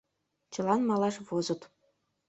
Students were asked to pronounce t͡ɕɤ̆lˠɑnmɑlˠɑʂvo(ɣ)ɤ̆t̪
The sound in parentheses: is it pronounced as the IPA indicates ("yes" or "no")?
no